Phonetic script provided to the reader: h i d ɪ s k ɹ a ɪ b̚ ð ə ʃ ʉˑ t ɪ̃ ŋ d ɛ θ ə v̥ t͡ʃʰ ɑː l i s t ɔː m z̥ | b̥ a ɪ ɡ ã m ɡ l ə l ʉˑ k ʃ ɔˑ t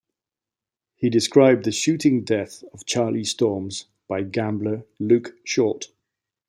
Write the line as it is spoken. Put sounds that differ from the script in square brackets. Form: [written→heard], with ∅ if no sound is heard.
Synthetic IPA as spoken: h i d ɪ s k ɹ a ɪ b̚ ð ə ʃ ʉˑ t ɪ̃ ŋ d ɛ θ ə v̥ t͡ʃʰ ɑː l i s t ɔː m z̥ | b̥ a ɪ ɡ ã m [ɡ→b] l ə l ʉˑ k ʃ ɔˑ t

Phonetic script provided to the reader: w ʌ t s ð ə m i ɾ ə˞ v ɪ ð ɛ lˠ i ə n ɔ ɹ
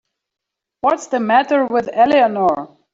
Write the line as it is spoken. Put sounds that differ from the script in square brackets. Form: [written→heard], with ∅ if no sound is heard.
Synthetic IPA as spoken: w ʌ t s ð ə m [i→æ] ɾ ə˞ [v→w] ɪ ð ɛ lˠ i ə n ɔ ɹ

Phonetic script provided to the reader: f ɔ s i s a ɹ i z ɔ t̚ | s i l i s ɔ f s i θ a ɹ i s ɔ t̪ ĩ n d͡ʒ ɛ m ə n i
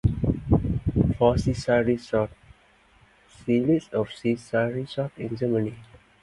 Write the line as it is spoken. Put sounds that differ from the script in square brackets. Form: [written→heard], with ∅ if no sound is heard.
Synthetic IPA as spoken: f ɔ s i s a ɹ i [z→s] ɔ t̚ | s i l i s ɔ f s i [θ→s] a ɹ i s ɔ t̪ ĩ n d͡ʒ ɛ m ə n i

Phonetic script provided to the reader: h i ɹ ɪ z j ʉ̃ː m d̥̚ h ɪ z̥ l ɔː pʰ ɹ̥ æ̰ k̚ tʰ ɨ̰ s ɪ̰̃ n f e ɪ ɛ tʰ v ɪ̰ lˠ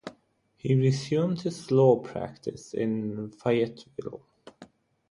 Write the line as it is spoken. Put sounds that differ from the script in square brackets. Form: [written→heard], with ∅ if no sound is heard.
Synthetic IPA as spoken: h i ɹ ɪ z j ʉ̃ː m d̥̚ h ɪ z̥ l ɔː pʰ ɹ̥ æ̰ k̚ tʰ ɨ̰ s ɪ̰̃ n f [e→a] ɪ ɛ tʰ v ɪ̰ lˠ

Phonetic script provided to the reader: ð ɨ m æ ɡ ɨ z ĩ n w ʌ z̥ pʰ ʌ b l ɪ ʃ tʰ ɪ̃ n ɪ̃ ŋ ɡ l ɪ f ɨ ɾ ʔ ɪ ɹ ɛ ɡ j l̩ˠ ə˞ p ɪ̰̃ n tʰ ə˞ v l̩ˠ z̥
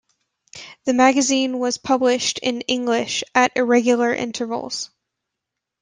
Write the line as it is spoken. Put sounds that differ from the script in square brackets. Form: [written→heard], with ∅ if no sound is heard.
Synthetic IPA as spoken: ð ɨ m æ ɡ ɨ z ĩ n w ʌ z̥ pʰ ʌ b l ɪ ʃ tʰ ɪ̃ n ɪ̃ ŋ ɡ l ɪ [f→ʃ] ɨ ɾ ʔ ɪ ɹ ɛ ɡ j l̩ˠ ə˞ [p→ʔ] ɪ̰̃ n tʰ ə˞ v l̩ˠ z̥

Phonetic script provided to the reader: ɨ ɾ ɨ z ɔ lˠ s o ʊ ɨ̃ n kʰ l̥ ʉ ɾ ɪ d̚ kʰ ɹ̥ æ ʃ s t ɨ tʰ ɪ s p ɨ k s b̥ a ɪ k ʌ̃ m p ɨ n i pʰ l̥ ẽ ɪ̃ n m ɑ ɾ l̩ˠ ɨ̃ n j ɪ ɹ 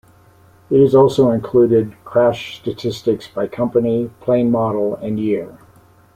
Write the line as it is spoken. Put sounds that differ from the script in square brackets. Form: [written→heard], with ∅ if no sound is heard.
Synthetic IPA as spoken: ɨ ɾ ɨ z ɔ lˠ s o ʊ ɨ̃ n kʰ l̥ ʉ ɾ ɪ d̚ kʰ ɹ̥ æ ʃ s t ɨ tʰ ɪ s [p→t] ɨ k s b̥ a ɪ [k→kʰ] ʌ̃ m p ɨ n i pʰ l̥ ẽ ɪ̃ n m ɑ ɾ l̩ˠ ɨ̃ n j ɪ ɹ

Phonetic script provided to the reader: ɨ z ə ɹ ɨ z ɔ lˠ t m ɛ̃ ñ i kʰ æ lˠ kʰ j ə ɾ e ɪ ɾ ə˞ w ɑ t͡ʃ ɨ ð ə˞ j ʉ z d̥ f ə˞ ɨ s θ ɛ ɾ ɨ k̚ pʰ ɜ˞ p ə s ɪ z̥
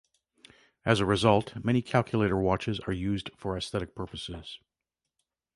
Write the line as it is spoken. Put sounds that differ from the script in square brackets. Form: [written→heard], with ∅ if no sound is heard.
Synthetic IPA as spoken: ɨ z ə ɹ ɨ z [ɔ→ʌ] lˠ t m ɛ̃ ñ i kʰ æ lˠ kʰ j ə [ɾ→l] e ɪ ɾ ə˞ w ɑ t͡ʃ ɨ [ð→z] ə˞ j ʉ z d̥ f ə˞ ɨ s θ ɛ ɾ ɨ k̚ pʰ ɜ˞ p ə s ɪ z̥

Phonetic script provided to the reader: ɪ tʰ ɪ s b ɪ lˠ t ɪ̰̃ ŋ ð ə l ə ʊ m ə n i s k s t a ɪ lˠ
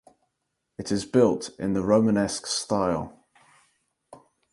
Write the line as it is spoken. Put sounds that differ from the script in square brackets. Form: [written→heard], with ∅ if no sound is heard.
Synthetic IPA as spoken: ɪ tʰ ɪ [s→z] b ɪ lˠ t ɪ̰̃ [ŋ→n] ð ə [l→ɹ] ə ʊ m ə n [i→ɛ] s k s t a ɪ lˠ

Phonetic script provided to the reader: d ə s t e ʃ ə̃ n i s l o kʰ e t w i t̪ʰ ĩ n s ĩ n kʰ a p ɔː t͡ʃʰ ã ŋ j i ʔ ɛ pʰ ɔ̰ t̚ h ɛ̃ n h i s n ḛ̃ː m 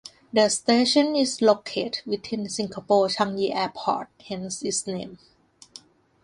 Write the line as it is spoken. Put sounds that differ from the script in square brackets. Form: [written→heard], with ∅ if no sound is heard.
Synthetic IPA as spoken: d ə s t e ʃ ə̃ n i s l o kʰ e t w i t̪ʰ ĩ n s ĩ [n→ŋ] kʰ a p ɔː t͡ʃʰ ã ŋ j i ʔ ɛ pʰ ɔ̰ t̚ h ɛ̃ n [h→s] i s n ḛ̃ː m

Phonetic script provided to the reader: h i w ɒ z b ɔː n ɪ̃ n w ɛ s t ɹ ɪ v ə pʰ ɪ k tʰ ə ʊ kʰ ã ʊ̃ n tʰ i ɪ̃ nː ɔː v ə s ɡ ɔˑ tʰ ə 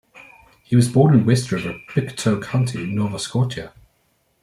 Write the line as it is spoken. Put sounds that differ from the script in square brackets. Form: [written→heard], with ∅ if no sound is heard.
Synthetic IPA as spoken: h i w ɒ z b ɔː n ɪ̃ n w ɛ s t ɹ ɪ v ə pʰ ɪ k tʰ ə ʊ kʰ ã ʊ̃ n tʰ i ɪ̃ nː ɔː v ə s [ɡ→k] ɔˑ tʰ ə

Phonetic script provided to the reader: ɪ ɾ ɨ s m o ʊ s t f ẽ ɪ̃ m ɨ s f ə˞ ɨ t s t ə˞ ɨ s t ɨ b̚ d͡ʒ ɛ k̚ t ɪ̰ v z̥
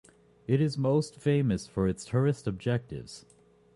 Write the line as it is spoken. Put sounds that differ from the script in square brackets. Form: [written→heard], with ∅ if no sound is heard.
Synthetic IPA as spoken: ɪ ɾ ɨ [s→z] m o ʊ s t f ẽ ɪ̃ m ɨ s f ə˞ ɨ t s [t→tʰ] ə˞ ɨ s t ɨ b̚ d͡ʒ ɛ k̚ t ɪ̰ v z̥

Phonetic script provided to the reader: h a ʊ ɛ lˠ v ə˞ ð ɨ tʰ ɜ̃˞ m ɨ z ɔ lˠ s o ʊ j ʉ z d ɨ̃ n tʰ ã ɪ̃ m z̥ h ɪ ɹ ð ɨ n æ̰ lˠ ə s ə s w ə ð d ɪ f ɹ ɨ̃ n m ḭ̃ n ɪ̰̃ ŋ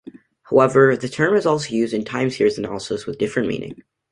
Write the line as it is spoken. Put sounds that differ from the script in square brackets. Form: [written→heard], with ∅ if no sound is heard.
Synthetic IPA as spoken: h a ʊ ɛ [lˠ→∅] v ə˞ ð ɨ tʰ ɜ̃˞ m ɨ z ɔ lˠ s o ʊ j ʉ z d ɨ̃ n tʰ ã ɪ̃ m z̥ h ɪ ɹ [ð→z] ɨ n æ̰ lˠ ə s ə s w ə ð d ɪ f ɹ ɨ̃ n m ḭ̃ n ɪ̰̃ ŋ

